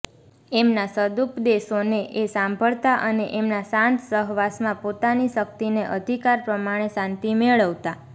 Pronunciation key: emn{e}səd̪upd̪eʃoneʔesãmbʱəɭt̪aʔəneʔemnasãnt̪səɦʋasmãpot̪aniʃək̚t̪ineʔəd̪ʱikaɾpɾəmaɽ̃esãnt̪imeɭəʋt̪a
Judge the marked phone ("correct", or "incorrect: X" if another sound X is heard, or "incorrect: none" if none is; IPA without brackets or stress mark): incorrect: a